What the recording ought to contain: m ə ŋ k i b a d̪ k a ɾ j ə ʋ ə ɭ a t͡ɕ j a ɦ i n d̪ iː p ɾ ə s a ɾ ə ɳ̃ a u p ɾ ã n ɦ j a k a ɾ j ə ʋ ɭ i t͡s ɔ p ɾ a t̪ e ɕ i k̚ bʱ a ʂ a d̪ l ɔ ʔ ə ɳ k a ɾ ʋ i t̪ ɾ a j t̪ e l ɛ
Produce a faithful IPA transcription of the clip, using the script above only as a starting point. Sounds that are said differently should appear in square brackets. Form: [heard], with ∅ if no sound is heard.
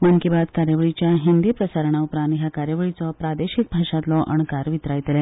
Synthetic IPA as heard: m ə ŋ k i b a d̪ k a ɾ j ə ʋ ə ɭ [i] t͡ɕ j a ɦ i n d̪ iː p ɾ ə s a ɾ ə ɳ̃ a u p ɾ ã n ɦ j a k a ɾ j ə ʋ ɭ i t͡s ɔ p ɾ a [d̪] e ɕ i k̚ bʱ a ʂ a [t̪] l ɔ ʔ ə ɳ k a ɾ ʋ i t̪ ɾ a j t̪ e l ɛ